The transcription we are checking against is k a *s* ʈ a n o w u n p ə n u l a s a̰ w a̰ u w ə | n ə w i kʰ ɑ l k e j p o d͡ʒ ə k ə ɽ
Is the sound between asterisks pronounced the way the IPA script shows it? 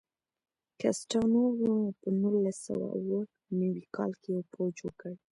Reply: yes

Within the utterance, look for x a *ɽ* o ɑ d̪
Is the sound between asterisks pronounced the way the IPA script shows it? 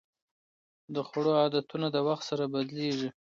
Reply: yes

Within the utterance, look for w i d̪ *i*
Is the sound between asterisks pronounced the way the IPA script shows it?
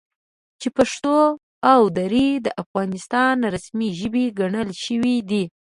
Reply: yes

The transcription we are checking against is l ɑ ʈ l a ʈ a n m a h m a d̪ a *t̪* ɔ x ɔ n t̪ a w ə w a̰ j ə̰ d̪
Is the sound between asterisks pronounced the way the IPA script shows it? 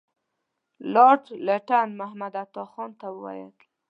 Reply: yes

